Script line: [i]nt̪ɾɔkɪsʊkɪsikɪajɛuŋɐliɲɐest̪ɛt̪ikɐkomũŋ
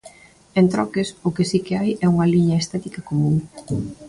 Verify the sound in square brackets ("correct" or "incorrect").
incorrect